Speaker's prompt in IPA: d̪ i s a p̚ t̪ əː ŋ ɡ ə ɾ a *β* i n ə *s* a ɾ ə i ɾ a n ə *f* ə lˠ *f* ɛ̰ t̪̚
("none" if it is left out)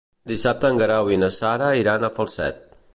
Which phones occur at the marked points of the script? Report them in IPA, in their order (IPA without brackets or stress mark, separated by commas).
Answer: w, s, f, s